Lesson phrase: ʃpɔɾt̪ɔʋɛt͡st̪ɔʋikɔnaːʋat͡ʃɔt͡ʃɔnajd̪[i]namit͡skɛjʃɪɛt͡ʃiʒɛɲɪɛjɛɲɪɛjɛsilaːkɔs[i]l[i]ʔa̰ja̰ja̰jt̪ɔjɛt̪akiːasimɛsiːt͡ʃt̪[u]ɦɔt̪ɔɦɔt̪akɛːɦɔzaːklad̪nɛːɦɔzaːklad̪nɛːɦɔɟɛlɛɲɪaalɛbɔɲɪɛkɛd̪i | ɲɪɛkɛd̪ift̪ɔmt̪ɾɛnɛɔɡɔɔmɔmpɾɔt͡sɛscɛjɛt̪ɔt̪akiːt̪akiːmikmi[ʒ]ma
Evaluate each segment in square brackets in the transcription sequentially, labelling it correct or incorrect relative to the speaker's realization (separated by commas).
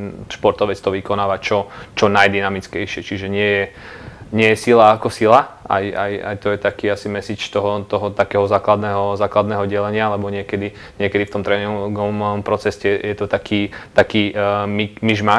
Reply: correct, correct, incorrect, incorrect, correct